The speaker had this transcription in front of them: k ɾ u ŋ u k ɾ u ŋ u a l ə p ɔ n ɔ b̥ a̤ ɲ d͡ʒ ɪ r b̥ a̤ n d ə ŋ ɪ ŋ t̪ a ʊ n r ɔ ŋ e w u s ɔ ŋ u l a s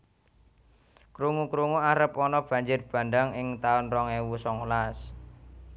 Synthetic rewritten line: k ɾ u ŋ u k ɾ u ŋ u a ɾ ə p ɔ n ɔ b̥ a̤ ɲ d͡ʒ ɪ r b̥ a̤ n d a ŋ ɪ ŋ t̪ a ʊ n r ɔ ŋ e w u s ɔ ŋ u l a s

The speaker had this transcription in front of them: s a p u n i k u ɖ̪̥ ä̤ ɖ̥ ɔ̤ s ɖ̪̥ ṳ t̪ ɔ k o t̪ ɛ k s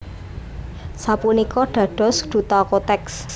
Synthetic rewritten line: s a p u n i k ɔ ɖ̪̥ ä̤ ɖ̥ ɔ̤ s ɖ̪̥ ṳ t̪ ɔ k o t̪ ɛ k s

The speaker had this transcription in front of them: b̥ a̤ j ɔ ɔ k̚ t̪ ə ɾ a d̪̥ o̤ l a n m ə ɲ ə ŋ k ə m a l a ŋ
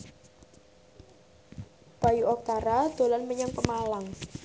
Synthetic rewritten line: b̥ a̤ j u ɔ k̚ t̪ a ɾ a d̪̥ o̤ l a n m ə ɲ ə ŋ p ə m a l a ŋ

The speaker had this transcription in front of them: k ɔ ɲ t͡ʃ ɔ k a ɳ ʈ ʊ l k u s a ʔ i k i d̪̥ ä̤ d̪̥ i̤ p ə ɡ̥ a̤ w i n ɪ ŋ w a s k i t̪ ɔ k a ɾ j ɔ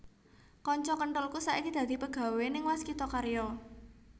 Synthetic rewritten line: k ɔ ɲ t͡ʃ ɔ k ə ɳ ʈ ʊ l k u s a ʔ i k i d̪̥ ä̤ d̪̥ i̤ p ə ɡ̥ a̤ w e n ɪ ŋ w a s k i t̪ ɔ k a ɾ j ɔ

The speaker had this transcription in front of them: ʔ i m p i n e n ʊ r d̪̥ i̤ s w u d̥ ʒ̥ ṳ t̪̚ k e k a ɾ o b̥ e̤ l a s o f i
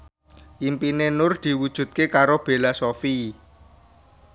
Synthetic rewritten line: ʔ i m p i n e n ʊ r d̪̥ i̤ w u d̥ ʒ̥ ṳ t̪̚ k e k a ɾ o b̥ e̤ l a s o f i

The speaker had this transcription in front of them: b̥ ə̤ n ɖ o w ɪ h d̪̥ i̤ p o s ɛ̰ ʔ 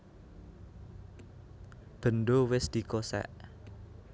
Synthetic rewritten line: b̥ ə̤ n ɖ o w ɪ s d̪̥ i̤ k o s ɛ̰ ʔ

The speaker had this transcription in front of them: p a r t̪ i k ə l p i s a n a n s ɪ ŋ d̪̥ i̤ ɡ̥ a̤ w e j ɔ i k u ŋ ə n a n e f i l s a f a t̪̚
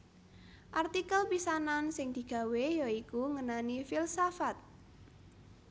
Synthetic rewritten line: ʔ a r t̪ i k ə l p i s a n a n s ɪ ŋ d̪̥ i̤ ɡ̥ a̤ w e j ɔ i k u ŋ ə n a n i f i l s a f a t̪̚

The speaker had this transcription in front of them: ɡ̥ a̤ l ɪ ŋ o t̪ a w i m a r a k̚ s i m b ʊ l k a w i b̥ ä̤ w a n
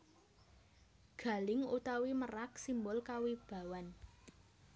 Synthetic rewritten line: ɡ̥ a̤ l ɪ ŋ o t̪ a w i m ə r a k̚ s i m b ʊ l k a w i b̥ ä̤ w a n

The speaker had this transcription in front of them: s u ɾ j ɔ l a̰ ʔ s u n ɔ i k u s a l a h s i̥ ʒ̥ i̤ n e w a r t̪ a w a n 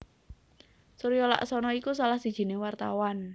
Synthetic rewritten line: s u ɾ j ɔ l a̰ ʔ s ɔ n ɔ i k u s a l a h s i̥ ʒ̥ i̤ n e w a r t̪ a w a n

